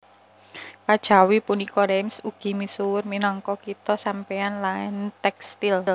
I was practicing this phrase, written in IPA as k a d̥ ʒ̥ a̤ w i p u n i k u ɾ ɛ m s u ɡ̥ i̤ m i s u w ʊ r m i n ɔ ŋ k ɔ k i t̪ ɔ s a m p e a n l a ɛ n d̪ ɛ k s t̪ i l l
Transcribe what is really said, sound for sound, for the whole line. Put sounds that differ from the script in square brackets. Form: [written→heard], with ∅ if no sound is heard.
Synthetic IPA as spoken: k a d̥ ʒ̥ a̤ w i p u n i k [u→ɔ] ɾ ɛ m s u ɡ̥ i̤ m i s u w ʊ r m i n ɔ ŋ k ɔ k i t̪ ɔ s a m p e a n l a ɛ n [d̪→t̪] ɛ k s t̪ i l l